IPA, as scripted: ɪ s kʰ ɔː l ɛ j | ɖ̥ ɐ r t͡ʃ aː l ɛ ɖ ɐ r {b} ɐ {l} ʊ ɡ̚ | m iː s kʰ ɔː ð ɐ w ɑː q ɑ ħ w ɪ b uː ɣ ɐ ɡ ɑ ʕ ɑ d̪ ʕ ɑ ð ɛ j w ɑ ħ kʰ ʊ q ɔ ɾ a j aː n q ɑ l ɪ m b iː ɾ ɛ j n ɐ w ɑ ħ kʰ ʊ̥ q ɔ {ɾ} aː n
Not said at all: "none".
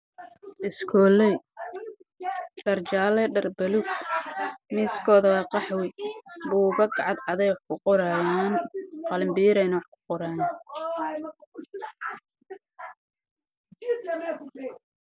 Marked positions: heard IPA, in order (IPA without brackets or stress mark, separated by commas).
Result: b, l, ɾ